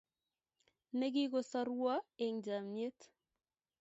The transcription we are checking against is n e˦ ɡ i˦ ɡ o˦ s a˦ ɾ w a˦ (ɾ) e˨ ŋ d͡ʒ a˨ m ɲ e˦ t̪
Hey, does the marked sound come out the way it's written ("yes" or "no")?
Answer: no